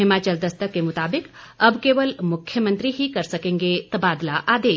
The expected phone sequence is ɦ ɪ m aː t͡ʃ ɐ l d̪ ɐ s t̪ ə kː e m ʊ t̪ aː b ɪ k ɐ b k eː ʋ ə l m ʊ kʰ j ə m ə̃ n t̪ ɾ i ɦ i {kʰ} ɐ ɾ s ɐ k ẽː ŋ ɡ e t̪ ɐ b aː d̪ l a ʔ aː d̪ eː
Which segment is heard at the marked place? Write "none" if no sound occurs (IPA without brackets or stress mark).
k